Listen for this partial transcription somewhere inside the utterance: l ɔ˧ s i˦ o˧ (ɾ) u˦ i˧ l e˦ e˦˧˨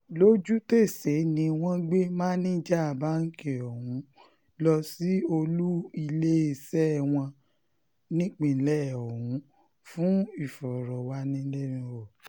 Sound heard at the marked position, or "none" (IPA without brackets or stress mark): l